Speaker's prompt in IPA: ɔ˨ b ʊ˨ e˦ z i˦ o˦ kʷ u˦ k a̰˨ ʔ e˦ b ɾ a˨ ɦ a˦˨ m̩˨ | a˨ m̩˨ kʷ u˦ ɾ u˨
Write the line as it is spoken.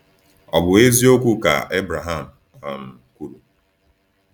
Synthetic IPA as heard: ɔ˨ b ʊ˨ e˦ z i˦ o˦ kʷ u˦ k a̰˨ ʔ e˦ b ɾ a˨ ɦ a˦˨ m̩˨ | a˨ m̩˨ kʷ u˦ ɾ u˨